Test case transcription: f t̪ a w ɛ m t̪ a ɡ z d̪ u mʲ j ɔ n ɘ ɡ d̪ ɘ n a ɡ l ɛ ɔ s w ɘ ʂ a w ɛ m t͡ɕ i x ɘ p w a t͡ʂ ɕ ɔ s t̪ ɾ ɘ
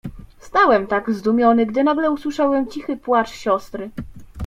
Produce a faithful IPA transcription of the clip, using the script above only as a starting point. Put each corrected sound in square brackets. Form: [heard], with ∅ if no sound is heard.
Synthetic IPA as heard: [s] t̪ a w ɛ m t̪ a ɡ z d̪ u mʲ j ɔ n ɘ ɡ d̪ ɘ n a ɡ l ɛ [u] s w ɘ ʂ a w ɛ m t͡ɕ i x ɘ p w a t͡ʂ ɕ ɔ s t̪ ɾ ɘ